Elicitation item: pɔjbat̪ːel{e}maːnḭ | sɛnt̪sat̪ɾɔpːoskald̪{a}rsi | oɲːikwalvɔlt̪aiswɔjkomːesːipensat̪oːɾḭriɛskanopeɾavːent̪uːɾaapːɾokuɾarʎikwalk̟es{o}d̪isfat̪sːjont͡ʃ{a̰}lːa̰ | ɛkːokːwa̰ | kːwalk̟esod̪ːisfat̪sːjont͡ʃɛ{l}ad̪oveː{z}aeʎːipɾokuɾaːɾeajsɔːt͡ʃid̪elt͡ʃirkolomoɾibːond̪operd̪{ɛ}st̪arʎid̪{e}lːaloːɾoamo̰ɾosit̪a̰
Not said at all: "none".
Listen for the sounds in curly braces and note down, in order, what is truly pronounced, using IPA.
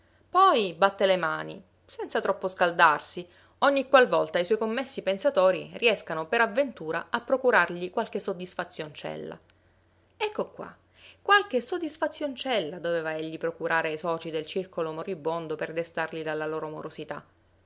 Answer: e, a, o, ɛ̰, lː, v, e, a

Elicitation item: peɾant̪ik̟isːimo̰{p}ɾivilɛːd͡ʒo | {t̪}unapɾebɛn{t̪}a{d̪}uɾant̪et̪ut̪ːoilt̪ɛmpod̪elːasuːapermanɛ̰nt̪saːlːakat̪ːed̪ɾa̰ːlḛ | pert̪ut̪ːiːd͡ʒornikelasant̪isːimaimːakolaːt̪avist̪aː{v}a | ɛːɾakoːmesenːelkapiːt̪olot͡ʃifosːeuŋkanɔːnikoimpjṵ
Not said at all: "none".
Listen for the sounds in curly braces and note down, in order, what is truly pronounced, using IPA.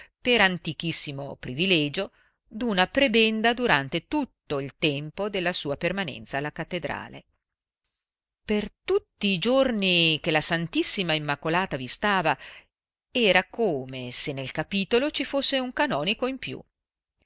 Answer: p, d̪, d̪, d̪, v

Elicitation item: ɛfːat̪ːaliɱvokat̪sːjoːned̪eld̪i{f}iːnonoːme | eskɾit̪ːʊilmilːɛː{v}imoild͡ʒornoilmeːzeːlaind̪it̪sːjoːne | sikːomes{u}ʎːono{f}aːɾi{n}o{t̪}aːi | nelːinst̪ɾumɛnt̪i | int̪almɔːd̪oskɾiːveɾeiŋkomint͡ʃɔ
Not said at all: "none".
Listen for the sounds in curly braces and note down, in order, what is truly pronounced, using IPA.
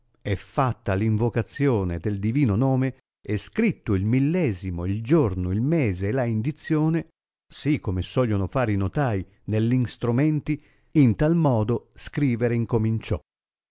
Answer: v, z, ɔ, f, n, t̪

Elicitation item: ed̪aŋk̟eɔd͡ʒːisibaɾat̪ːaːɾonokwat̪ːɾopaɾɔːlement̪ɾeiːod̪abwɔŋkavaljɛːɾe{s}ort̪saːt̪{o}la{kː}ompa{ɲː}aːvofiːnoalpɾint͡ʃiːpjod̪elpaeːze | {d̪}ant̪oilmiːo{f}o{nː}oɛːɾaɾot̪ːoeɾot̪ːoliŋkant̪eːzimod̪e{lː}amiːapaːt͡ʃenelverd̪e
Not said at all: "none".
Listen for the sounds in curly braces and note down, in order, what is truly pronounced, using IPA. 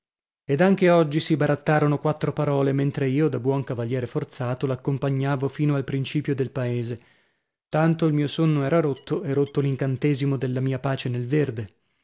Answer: f, o, kː, ɲː, t̪, s, nː, lː

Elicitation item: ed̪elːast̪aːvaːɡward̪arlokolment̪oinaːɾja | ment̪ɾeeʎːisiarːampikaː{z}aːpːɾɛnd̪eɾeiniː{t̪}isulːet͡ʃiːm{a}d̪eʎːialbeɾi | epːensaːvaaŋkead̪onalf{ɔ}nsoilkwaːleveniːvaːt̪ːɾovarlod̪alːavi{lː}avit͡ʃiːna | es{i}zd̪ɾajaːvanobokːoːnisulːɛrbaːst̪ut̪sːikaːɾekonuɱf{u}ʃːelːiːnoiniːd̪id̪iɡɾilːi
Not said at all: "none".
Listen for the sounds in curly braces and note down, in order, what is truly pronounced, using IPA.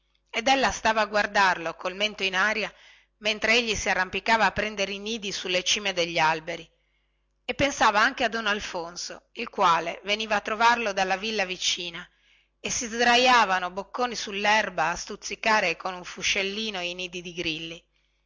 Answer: v, d̪, e, o, lː, i, u

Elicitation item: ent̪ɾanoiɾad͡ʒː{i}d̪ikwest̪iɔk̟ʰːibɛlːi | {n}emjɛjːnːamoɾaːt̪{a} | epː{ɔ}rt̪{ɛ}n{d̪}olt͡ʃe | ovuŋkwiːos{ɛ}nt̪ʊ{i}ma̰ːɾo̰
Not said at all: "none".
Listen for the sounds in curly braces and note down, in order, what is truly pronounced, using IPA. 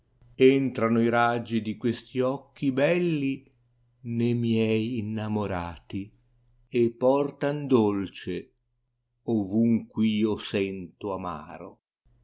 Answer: i, n, i, ɔ, a, d̪, ɛ, a

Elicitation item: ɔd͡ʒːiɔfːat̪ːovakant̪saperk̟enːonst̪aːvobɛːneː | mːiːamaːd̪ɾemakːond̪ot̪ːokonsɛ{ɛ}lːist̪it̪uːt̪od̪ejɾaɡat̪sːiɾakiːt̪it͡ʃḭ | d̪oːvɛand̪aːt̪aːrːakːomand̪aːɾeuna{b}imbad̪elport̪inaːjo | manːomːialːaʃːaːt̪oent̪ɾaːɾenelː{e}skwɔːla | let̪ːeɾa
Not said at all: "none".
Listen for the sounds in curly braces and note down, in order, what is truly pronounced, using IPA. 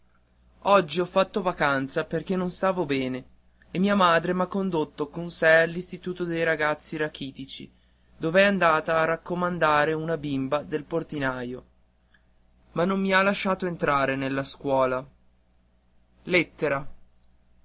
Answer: a, b, a

